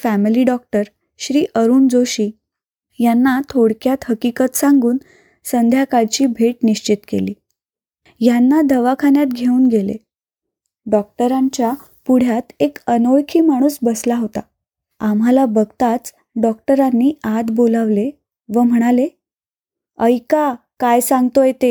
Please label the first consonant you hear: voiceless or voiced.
voiceless